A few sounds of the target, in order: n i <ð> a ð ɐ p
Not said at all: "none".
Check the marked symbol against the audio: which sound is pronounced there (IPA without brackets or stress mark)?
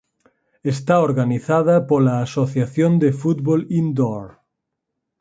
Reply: θ